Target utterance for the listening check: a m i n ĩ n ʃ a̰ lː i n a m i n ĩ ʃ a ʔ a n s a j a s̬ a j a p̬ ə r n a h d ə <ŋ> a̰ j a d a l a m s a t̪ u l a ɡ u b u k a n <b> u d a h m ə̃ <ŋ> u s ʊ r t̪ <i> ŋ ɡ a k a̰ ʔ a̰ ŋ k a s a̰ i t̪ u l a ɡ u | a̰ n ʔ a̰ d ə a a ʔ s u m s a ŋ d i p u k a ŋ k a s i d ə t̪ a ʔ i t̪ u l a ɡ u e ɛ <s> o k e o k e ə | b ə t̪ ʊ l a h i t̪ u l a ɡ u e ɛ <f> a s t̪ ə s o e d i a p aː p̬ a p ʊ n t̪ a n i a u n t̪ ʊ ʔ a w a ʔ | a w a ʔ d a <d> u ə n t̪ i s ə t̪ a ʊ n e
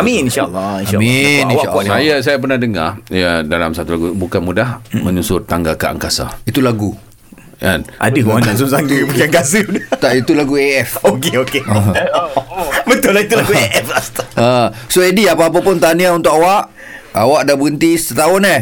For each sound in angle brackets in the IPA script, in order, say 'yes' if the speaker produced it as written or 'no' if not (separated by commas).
yes, no, no, no, no, yes, no